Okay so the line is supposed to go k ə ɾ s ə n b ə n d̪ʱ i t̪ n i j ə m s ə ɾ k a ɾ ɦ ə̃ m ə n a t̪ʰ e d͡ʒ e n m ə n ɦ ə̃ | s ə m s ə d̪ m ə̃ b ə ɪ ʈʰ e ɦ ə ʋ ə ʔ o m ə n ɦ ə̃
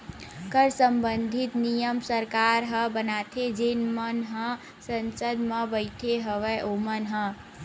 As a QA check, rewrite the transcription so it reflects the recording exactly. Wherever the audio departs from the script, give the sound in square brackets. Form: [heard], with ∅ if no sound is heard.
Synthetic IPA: k ə ɾ s ə [m] b ə n d̪ʱ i t̪ n i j ə m s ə ɾ k a ɾ ɦ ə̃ [b] ə n a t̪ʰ e d͡ʒ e n m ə n ɦ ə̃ | s ə [n] s ə d̪ m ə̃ b ə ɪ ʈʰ e ɦ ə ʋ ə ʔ o m ə n ɦ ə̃

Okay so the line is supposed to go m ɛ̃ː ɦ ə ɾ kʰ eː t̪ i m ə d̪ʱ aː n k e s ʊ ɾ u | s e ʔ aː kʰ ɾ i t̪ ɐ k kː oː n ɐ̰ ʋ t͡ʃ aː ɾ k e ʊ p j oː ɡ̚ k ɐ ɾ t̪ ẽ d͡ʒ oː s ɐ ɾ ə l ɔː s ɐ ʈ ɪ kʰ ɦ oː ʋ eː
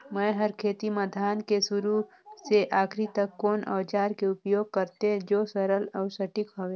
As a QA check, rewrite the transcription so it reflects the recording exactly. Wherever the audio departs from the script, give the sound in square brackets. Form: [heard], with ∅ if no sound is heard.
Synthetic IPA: m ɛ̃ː ɦ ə ɾ kʰ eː t̪ i m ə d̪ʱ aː n k e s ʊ ɾ u | s e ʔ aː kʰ ɾ i t̪ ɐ k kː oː n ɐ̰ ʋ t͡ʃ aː ɾ k e ʊ p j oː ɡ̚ k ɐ ɾ t̪ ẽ d͡ʒ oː s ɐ ɾ ə l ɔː s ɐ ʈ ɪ [k] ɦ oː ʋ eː

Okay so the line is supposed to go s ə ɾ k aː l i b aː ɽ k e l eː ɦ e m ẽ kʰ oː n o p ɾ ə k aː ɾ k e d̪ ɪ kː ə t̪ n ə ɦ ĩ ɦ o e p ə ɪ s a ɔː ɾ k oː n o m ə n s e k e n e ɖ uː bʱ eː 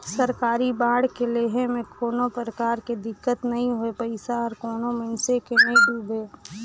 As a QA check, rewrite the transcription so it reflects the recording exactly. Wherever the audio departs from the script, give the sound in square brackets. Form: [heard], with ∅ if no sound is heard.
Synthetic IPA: s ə ɾ k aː [ɾ] i b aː ɽ k e l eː ɦ e m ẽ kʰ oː n o p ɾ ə k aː ɾ k e d̪ ɪ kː ə t̪ n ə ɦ ĩ ɦ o e p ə ɪ s a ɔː ɾ k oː n o m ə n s e k e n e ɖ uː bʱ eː

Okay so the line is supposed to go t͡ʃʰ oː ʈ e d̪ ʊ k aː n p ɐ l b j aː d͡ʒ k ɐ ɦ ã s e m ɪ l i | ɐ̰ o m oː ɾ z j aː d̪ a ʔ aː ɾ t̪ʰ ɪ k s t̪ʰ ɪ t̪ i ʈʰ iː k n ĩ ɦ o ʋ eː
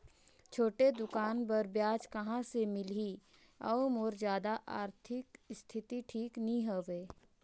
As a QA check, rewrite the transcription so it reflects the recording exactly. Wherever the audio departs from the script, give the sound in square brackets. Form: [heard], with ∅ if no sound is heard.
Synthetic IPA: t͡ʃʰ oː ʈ e d̪ ʊ k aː n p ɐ [ɾ] b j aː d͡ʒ k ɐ ɦ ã s e m ɪ l i | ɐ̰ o m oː ɾ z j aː d̪ a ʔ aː ɾ t̪ʰ ɪ k s t̪ʰ ɪ t̪ i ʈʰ iː k n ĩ ɦ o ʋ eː

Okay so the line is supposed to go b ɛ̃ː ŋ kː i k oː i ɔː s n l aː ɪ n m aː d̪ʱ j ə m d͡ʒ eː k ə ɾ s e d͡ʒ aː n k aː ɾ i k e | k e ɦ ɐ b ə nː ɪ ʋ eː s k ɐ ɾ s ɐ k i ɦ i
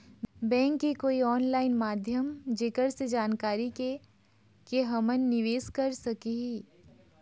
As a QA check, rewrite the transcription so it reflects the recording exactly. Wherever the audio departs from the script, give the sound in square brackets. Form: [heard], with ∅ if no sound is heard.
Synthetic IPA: b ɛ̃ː ŋ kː i k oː i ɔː [∅] n l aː ɪ n m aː d̪ʱ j ə m d͡ʒ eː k ə ɾ s e d͡ʒ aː n k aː ɾ i k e | k e ɦ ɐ [m] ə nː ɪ ʋ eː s k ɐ ɾ s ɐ k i ɦ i

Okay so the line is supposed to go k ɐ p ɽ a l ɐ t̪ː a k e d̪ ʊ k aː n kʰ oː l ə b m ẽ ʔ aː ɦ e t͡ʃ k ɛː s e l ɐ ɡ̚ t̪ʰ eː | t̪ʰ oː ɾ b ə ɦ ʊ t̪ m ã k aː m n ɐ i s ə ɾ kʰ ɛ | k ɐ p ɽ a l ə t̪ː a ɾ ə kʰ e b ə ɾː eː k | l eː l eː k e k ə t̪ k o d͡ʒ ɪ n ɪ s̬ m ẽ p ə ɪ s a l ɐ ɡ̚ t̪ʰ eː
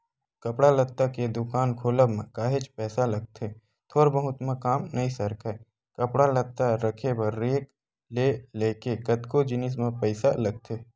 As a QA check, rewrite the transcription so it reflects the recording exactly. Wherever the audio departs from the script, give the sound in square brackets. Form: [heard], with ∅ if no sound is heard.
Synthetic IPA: k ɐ p ɽ a l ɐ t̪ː a k e d̪ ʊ k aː n kʰ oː l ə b m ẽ [k] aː ɦ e t͡ʃ [p] ɛː s [a] l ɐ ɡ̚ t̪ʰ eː | t̪ʰ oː ɾ b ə ɦ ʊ t̪ m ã k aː m n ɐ i s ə ɾ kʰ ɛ | k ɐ p ɽ a l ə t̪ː a ɾ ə kʰ e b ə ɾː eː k | l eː l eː k e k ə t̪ k o d͡ʒ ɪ n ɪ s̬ m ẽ p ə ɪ s a l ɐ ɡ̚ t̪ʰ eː

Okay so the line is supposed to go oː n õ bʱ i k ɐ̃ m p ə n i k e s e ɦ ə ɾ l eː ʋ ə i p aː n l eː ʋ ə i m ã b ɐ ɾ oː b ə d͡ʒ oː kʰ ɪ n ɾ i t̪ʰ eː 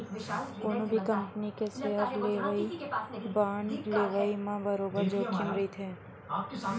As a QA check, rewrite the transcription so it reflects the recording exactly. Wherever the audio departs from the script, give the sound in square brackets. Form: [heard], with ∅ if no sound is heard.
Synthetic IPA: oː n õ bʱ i k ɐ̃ m p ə n i k e s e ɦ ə ɾ l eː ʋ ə i [b] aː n l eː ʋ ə i m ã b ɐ ɾ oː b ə d͡ʒ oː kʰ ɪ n ɾ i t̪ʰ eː

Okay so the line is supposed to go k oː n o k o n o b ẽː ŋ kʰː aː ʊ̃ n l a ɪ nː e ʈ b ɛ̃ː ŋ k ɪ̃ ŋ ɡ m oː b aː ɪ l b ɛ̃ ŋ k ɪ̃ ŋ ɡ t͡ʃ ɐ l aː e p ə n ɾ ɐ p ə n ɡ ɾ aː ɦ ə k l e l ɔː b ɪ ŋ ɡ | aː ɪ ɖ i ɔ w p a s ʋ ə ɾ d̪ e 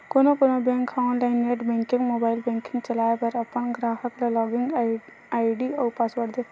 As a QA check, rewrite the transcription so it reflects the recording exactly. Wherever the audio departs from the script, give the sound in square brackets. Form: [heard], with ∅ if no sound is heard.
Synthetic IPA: k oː n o k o n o b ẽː ŋ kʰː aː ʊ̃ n l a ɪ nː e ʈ b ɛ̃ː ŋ k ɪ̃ ŋ ɡ m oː b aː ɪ l b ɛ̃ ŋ k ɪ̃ ŋ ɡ t͡ʃ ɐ l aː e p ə [∅] ɾ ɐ p ə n ɡ ɾ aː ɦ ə k l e l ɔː [ɡ] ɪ ŋ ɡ | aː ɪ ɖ i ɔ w p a s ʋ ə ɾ d̪ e

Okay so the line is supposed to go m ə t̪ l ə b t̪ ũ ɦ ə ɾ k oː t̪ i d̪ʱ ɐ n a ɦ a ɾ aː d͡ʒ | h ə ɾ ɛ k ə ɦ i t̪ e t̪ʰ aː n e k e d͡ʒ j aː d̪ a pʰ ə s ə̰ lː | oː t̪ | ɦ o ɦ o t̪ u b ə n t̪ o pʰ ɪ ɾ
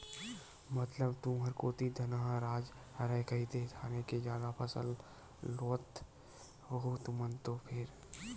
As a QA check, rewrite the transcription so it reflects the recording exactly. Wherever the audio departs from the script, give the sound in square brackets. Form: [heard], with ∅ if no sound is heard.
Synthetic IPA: m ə t̪ l ə b t̪ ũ ɦ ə ɾ k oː t̪ i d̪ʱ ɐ n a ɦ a ɾ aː d͡ʒ | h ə ɾ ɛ k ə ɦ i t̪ e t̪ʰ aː n e k e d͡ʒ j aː d̪ a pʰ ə s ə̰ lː | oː t̪ | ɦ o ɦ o t̪ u [m] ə n t̪ o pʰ ɪ ɾ

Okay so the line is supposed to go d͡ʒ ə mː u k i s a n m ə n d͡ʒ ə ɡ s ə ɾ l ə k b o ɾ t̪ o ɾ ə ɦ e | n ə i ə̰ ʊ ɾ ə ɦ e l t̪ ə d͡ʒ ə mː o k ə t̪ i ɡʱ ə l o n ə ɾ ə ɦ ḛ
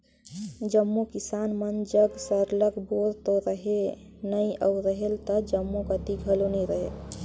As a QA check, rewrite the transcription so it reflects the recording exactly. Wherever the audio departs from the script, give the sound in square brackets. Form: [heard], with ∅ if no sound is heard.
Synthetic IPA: d͡ʒ ə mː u k i s a n m ə n d͡ʒ ə ɡ s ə ɾ l ə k b o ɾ t̪ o ɾ ə ɦ e | n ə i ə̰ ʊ ɾ ə ɦ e l t̪ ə d͡ʒ ə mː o k ə t̪ i ɡʱ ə l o n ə ɾ ə ɦ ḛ

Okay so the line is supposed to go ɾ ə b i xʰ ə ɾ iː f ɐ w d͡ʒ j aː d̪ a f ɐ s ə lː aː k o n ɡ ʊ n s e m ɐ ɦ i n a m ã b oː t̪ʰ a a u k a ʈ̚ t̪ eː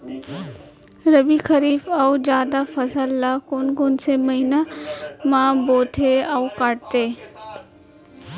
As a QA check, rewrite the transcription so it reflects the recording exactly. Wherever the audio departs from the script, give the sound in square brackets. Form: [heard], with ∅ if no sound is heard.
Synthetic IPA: ɾ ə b i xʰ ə ɾ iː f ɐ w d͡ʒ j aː d̪ a f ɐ s ə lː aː k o n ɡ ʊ n s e m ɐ ɦ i n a m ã b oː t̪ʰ [e] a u k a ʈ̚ t̪ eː

